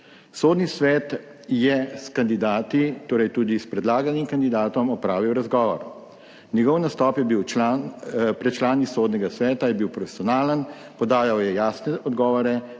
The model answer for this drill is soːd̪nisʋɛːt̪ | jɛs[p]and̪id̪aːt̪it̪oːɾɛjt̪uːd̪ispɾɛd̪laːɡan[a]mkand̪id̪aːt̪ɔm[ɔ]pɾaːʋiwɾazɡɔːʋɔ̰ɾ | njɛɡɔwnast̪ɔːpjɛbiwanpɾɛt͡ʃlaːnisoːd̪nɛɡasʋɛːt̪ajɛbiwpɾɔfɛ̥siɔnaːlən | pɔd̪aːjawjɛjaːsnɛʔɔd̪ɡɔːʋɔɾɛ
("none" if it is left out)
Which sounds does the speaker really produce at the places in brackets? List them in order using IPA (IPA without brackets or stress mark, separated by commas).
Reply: k, i, ɔ